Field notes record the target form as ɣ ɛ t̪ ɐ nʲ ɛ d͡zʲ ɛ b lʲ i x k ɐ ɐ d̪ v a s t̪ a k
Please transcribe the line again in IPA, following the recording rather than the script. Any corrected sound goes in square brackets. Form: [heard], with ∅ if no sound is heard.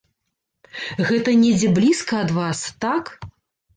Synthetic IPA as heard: ɣ ɛ t̪ ɐ nʲ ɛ d͡zʲ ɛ b lʲ i [s] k ɐ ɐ d̪ v a s t̪ a k

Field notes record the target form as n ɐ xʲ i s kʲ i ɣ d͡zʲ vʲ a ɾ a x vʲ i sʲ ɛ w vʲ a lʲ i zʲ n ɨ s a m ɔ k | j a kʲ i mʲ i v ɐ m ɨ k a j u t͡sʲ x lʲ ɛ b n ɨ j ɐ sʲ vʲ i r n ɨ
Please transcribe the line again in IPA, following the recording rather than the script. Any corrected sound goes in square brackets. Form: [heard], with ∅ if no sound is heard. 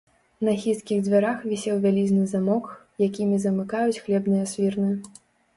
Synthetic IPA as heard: n ɐ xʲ i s kʲ i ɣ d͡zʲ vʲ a ɾ a x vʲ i sʲ ɛ w vʲ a lʲ i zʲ n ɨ [z] a m ɔ k | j a kʲ i mʲ i [z] ɐ m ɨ k a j u t͡sʲ x lʲ ɛ b n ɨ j ɐ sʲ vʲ i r n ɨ

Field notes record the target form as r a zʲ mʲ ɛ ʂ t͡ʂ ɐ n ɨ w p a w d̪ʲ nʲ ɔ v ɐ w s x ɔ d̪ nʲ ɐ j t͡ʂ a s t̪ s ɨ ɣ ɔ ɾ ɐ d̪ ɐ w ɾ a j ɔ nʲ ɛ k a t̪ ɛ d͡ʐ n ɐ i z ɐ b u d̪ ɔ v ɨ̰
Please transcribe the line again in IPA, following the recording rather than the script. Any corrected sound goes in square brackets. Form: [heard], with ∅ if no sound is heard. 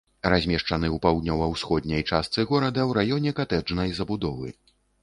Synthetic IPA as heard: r a zʲ mʲ ɛ ʂ t͡ʂ ɐ n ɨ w p a w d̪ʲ nʲ ɔ v ɐ w s x ɔ d̪ nʲ ɐ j t͡ʂ a s t̪ s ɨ ɣ ɔ ɾ ɐ d̪ ɐ w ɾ a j ɔ nʲ ɛ k a t̪ ɛ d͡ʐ n ɐ [j] z ɐ b u d̪ ɔ v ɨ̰

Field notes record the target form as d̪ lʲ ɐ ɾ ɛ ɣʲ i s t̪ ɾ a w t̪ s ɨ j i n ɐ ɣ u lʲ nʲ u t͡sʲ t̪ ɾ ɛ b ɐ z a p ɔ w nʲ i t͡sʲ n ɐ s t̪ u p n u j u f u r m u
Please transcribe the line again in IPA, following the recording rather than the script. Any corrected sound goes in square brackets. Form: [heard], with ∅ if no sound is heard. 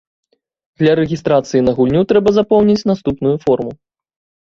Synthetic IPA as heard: d̪ lʲ ɐ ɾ ɛ ɣʲ i s t̪ ɾ a [∅] t̪ s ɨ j i n ɐ ɣ u lʲ nʲ u [∅] t̪ ɾ ɛ b ɐ z a p ɔ w nʲ i t͡sʲ n [a] s t̪ u p n u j u f [ɔ] r m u

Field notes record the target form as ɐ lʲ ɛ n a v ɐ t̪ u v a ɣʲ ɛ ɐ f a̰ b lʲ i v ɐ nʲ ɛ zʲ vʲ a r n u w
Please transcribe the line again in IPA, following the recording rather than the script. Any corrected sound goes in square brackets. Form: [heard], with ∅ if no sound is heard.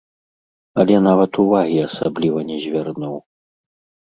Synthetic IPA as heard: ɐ lʲ ɛ n a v ɐ t̪ u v a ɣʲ [i] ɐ [s] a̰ b lʲ i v ɐ nʲ ɛ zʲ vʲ a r n u w

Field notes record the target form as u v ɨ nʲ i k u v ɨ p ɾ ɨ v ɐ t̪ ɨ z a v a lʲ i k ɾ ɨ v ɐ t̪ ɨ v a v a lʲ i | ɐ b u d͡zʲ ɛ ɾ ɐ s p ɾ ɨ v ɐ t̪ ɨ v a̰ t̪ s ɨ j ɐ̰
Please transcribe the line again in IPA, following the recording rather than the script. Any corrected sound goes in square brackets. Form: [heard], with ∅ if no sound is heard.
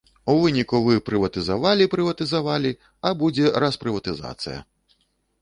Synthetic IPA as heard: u v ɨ nʲ i k u v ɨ p ɾ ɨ v ɐ t̪ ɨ z a v a lʲ i [p] ɾ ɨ v ɐ t̪ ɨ [z] a v a lʲ i | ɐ b u d͡zʲ ɛ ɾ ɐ s p ɾ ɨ v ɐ t̪ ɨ [z] a̰ t̪ s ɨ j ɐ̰

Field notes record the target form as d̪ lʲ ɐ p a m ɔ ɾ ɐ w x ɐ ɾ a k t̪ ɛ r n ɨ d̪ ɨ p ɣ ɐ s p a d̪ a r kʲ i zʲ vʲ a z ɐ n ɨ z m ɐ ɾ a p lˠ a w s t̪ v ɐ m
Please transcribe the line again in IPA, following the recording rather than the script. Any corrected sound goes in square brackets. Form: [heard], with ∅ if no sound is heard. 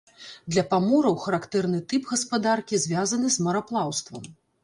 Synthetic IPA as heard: d̪ lʲ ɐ p a m ɔ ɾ ɐ w x ɐ ɾ a k t̪ ɛ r n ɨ [t̪] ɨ p ɣ ɐ s p a d̪ a r kʲ i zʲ vʲ a z ɐ n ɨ z m ɐ ɾ a p lˠ a w s t̪ v ɐ m

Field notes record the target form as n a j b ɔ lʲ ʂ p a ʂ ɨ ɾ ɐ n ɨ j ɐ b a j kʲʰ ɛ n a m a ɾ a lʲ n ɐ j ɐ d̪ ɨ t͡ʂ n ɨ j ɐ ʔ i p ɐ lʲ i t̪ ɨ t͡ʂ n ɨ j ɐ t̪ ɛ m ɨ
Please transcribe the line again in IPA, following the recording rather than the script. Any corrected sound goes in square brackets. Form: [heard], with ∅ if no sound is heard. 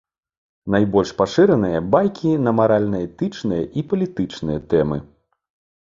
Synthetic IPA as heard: n a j b ɔ lʲ ʂ p a ʂ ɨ ɾ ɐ n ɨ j ɐ b a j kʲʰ [i] n [ɐ] m a ɾ a lʲ n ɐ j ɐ [t̪] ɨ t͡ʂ n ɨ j ɐ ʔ i p ɐ lʲ i t̪ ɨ t͡ʂ n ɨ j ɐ t̪ ɛ m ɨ

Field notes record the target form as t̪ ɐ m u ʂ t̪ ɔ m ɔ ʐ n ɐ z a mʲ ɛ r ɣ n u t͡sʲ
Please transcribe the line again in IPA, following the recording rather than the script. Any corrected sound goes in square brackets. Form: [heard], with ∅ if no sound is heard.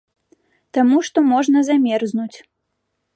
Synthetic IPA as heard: t̪ [a] m u ʂ t̪ ɔ m ɔ ʐ n ɐ z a mʲ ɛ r [z] n u t͡sʲ

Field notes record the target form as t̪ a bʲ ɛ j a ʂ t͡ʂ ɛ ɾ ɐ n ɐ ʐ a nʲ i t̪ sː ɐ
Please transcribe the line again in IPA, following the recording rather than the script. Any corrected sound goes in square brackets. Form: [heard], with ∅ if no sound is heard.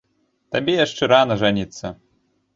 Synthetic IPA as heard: t̪ a bʲ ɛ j a ʂ t͡ʂ ɛ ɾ [a] n ɐ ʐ a nʲ i t̪ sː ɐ

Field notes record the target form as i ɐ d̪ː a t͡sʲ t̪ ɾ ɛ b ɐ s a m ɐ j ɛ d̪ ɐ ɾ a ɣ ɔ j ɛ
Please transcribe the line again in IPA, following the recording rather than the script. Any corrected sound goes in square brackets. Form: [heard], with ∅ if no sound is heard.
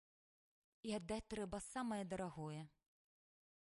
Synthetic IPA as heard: i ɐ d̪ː a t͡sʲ t̪ ɾ ɛ b ɐ s a m ɐ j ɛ d̪ ɐ ɾ a ɣ ɔ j ɛ

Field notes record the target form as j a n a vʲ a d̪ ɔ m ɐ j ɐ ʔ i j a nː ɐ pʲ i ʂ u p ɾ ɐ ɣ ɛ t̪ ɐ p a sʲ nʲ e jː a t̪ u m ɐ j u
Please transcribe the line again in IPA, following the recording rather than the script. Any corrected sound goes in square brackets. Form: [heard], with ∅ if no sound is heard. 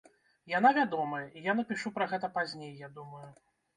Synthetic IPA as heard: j a n a vʲ a d̪ ɔ m ɐ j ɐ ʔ i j a [n] ɐ pʲ i ʂ u p ɾ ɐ ɣ ɛ t̪ ɐ p a [zʲ] nʲ e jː a [d̪] u m ɐ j u

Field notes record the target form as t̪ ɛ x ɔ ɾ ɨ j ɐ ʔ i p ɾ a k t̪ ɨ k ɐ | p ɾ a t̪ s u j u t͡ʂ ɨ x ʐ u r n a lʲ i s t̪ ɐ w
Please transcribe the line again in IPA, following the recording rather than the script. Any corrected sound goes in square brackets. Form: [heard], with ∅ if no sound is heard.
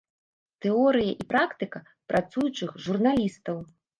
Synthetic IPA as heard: t̪ ɛ [∅] ɔ ɾ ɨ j ɐ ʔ i p ɾ a k t̪ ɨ k ɐ | p ɾ a t̪ s u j u t͡ʂ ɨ x ʐ u r n a lʲ i s t̪ ɐ w

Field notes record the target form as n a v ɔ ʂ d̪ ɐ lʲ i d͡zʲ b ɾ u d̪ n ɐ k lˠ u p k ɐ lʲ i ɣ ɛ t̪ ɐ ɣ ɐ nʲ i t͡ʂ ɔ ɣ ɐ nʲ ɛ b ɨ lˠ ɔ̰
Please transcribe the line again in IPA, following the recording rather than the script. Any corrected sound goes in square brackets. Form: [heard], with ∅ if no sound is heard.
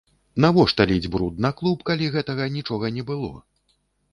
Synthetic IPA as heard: n a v ɔ ʂ [t̪] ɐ lʲ i d͡zʲ b ɾ u d̪ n ɐ k lˠ u p k [a] lʲ i ɣ ɛ t̪ ɐ ɣ ɐ nʲ i t͡ʂ ɔ ɣ ɐ nʲ ɛ b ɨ lˠ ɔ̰

